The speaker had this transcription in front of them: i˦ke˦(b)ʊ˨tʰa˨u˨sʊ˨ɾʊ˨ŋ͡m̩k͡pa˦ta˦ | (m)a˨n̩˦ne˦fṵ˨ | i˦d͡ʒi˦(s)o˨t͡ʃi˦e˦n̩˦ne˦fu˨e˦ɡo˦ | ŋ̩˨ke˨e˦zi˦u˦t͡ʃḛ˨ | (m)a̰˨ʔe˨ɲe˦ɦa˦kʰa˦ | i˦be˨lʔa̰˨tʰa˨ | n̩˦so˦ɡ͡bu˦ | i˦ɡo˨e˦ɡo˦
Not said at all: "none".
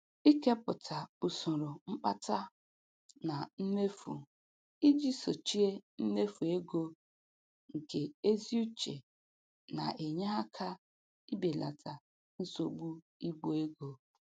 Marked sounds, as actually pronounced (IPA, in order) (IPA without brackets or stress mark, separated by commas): p, n, s, n